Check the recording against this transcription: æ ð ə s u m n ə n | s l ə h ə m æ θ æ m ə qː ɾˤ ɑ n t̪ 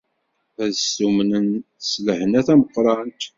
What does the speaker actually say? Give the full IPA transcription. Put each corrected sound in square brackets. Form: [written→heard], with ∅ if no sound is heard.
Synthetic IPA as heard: æ ð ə s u m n ə n | s l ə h ə [m→n] æ θ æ m ə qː ɾˤ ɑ n t̪